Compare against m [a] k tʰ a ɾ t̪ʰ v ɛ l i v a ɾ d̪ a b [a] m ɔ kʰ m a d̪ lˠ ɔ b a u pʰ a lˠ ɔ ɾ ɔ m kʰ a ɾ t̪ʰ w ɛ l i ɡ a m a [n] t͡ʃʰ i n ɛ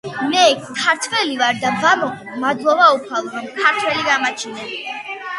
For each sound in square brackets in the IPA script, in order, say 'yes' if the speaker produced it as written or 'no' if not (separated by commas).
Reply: no, yes, no